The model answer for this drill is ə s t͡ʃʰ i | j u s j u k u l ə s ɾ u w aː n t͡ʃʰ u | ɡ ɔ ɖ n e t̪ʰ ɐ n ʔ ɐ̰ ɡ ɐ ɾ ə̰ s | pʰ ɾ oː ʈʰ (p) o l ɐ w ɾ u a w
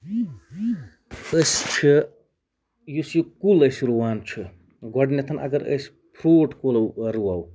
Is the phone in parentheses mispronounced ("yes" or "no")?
yes